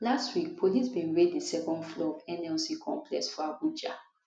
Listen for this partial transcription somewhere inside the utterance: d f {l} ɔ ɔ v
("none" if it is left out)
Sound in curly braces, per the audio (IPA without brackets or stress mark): l